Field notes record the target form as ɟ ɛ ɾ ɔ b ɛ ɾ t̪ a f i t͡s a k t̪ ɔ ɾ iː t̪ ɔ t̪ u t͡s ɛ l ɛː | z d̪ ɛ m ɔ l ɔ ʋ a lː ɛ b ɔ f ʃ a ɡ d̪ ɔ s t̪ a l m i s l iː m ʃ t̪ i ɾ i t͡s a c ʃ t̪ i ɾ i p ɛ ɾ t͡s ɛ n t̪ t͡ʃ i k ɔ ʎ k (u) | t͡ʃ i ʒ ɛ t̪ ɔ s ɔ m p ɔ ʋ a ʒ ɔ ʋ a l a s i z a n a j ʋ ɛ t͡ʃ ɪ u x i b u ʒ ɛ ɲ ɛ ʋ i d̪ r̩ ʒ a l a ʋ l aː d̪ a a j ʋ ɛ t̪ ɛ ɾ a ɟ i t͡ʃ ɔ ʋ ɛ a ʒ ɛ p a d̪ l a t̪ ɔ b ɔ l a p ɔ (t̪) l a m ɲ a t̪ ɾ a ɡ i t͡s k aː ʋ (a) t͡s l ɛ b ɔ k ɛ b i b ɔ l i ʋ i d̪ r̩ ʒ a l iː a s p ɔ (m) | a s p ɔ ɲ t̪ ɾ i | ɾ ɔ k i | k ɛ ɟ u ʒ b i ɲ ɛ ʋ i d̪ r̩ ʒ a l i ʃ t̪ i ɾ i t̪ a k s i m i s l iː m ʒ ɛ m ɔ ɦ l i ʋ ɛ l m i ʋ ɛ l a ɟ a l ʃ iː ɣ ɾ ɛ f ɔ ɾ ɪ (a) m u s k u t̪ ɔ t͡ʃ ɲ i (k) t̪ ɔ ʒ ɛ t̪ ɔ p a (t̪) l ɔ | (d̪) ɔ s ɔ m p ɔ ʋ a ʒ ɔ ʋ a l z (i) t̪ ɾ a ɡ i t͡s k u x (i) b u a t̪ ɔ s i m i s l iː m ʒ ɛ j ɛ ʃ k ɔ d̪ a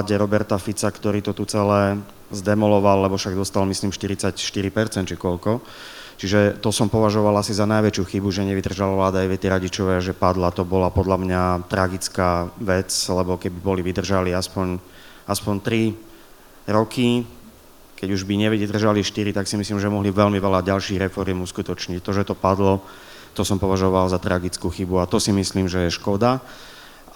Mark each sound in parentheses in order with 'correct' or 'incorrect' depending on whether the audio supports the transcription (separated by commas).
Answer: incorrect, incorrect, incorrect, incorrect, incorrect, incorrect, incorrect, incorrect, incorrect, correct